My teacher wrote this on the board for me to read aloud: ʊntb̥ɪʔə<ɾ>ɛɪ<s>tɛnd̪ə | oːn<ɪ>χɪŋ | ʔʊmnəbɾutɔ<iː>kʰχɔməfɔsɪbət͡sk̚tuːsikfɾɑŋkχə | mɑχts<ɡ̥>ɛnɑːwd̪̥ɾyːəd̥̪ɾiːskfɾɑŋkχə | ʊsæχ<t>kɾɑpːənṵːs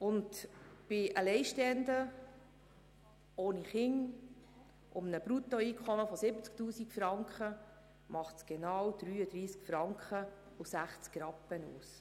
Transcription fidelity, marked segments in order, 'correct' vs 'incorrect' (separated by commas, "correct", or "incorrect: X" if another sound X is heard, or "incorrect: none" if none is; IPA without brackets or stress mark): incorrect: l, incorrect: ʃ, incorrect: i, correct, correct, incorrect: t͡s